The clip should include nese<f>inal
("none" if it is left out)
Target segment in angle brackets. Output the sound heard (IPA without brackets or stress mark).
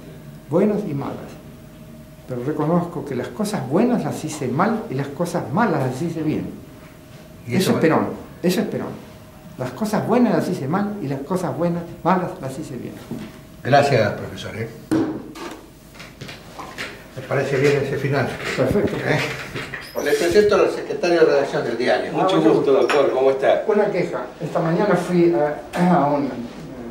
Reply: f